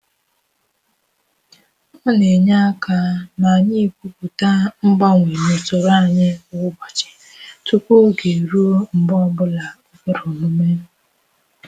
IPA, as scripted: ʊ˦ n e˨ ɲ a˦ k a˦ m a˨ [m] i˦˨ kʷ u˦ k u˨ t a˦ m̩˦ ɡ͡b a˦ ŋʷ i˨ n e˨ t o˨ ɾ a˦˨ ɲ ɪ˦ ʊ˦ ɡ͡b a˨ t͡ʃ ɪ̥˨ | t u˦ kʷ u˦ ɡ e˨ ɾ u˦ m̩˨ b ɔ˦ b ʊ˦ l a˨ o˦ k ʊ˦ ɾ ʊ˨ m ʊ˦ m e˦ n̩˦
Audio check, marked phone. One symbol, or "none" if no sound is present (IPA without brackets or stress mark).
ɲ